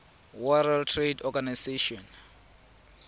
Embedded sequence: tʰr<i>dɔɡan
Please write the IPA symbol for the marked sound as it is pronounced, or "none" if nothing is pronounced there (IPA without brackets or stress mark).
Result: e